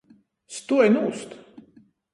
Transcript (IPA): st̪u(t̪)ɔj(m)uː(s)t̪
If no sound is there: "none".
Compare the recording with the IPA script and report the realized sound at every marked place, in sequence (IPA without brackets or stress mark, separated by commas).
none, n, s